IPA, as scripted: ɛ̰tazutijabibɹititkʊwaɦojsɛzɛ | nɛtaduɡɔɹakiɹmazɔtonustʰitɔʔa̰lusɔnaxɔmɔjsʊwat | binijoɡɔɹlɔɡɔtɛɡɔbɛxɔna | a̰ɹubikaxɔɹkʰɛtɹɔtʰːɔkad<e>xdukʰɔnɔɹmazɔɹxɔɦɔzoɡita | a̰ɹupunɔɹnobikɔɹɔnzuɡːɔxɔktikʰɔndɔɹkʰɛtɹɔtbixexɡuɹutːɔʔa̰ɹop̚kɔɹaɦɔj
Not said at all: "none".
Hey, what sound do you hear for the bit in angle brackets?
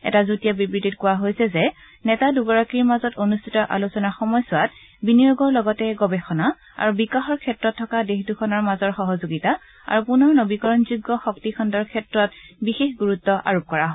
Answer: e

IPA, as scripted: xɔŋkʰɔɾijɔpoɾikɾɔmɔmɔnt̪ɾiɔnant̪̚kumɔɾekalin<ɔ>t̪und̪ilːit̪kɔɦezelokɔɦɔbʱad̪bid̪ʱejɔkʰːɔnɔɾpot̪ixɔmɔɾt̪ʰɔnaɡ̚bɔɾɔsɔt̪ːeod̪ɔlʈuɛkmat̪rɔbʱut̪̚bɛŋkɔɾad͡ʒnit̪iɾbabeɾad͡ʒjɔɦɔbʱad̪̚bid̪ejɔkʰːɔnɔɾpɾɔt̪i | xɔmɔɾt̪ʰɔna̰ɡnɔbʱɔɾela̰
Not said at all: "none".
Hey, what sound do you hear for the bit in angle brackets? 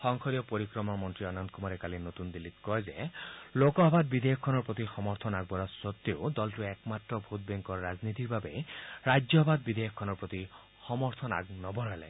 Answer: o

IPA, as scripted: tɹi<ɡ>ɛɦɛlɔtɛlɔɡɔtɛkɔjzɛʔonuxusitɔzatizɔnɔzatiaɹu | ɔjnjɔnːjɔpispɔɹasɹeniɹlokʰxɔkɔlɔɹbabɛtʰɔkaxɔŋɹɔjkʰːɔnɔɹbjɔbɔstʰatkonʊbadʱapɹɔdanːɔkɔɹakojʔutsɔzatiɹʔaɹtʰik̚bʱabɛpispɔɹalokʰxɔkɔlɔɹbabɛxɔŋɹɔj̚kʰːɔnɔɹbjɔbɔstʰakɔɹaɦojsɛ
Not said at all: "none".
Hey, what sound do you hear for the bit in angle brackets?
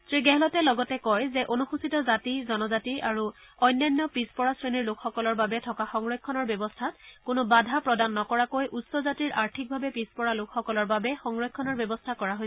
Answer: ɡ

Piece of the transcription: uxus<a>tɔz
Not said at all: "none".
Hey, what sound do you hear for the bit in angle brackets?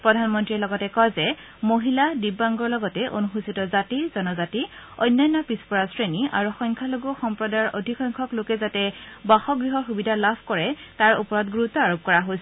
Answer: i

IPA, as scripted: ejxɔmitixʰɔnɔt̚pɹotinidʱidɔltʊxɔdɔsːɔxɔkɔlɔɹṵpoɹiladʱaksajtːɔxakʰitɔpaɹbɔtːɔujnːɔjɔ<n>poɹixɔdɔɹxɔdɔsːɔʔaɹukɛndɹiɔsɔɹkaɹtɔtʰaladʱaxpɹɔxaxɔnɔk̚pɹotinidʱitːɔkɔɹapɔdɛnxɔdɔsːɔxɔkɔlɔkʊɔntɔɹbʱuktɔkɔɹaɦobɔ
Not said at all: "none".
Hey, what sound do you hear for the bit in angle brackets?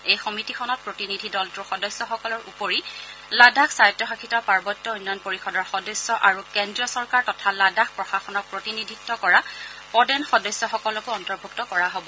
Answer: n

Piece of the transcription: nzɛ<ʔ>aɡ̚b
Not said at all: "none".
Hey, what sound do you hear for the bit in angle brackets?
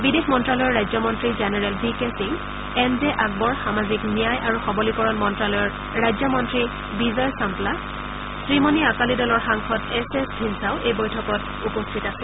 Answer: ʔ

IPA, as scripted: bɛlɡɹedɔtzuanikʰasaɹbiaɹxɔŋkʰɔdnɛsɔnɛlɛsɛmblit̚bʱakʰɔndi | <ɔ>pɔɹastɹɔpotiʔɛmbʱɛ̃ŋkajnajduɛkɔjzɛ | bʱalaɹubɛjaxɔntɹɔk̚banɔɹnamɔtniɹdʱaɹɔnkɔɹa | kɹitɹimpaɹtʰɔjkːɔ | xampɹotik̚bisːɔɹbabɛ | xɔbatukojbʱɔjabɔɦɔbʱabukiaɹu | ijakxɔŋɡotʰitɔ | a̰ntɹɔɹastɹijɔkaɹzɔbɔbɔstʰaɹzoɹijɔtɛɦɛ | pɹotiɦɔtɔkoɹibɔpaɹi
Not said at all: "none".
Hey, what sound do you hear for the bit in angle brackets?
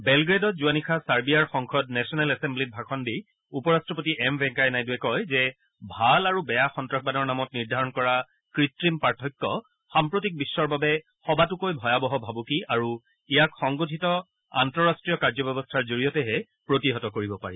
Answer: u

